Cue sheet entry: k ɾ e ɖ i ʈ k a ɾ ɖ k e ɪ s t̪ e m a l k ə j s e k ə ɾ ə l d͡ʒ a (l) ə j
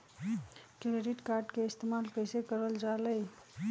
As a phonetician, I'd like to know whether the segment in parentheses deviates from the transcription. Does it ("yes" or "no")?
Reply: no